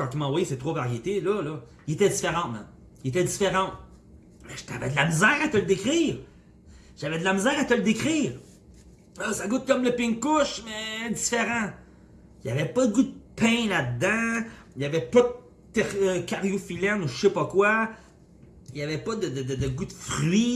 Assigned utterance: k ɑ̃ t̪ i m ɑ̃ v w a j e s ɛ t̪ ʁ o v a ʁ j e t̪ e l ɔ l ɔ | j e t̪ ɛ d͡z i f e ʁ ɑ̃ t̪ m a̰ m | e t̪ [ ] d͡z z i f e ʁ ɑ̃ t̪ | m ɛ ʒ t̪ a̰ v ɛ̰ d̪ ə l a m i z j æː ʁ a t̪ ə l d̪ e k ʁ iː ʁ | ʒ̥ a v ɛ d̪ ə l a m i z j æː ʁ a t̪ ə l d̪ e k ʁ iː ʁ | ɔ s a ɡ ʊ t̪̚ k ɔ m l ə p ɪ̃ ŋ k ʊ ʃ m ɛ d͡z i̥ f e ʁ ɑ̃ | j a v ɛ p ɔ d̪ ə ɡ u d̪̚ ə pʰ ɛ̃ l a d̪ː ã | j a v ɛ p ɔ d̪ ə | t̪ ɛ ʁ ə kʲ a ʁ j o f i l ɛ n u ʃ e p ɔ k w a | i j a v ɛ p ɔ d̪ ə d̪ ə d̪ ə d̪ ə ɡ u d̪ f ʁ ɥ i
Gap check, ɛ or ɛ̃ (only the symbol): ɛ